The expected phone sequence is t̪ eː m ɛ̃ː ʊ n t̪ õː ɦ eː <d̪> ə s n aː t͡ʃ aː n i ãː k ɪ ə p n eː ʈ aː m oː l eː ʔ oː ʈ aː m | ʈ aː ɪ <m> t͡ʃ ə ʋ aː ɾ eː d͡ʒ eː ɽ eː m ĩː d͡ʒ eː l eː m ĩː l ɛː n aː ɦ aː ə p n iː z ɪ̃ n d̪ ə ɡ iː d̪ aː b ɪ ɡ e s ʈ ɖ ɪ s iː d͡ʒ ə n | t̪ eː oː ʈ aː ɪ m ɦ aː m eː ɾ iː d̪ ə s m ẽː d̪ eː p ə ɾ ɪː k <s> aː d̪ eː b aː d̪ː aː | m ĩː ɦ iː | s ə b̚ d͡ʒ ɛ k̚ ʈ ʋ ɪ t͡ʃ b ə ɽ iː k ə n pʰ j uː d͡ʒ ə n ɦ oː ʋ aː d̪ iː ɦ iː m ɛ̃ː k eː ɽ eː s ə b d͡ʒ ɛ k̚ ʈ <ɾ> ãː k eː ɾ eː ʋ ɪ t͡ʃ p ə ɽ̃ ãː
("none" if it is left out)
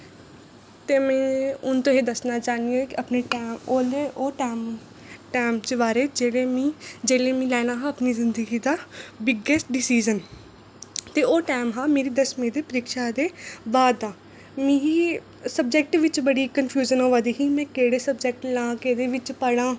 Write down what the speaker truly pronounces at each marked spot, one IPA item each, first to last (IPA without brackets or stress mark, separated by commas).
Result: d̪, m, ʃ, l